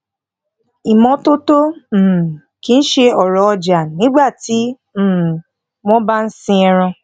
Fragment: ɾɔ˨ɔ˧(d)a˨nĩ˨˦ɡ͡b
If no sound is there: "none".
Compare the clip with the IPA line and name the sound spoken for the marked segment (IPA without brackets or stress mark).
d͡ʒ